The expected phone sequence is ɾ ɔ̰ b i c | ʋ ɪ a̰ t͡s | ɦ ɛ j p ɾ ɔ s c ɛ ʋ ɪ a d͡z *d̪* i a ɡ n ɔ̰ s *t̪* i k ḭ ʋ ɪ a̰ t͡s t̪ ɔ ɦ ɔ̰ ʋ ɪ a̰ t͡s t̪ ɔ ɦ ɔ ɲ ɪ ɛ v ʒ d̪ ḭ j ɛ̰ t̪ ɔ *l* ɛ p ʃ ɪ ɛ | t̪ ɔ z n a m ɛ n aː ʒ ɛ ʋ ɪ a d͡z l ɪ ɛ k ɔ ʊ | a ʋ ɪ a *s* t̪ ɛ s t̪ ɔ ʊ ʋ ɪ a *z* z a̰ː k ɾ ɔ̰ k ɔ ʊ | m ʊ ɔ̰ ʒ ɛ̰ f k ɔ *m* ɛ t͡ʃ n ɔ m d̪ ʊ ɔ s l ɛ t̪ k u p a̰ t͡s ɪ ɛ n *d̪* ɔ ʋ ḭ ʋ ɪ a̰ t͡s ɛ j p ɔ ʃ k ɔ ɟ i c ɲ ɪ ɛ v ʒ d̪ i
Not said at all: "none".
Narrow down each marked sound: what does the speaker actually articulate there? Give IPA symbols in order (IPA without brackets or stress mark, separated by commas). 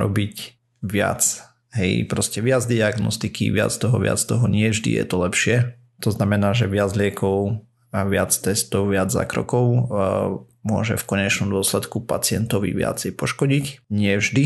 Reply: d̪, t̪, l, t͡s, d͡z, ɲ, t̪